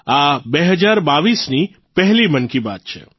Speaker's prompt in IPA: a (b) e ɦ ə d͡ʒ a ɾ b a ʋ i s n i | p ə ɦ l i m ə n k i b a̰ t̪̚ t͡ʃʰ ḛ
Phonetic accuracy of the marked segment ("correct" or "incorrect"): correct